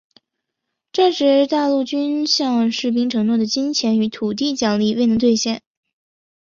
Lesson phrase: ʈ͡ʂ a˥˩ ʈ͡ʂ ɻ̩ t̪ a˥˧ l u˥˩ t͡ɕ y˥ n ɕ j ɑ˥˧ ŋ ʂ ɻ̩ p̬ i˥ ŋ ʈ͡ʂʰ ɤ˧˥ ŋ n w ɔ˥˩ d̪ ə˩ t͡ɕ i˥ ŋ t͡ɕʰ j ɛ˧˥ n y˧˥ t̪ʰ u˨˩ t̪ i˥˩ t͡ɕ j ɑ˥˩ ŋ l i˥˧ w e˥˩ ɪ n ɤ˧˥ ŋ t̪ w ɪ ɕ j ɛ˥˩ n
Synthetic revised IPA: ʈ͡ʂ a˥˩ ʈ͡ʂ ɻ̩ t̪ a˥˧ l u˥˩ t͡ɕ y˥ n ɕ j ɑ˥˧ ŋ ʂ ɻ̩ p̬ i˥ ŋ ʈ͡ʂʰ ɤ˧˥ ŋ n w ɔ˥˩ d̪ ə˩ t͡ɕ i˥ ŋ t͡ɕʰ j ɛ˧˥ n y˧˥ t̪ʰ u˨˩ t̪ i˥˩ t͡ɕ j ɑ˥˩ ŋ l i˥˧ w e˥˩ ɪ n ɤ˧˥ ŋ t̪ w ɪ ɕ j ɛ˥˩ n